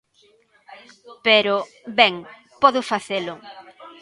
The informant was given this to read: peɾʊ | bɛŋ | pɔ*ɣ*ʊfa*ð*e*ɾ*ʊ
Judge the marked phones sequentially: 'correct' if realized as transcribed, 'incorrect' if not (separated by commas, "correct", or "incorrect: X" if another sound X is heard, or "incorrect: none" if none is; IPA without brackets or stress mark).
incorrect: ð, incorrect: θ, incorrect: l